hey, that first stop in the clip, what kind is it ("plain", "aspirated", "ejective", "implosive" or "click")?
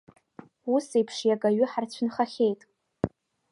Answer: aspirated